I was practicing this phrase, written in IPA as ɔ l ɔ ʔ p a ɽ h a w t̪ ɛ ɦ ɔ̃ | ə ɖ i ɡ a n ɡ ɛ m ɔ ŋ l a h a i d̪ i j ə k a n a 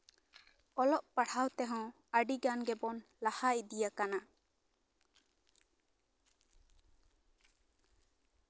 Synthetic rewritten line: ɔ l ɔ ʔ p a ɽ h a w t̪ ɛ ɦ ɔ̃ | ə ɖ i ɡ a n ɡ ɛ b ɔ n l a h a i d̪ i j a k a n a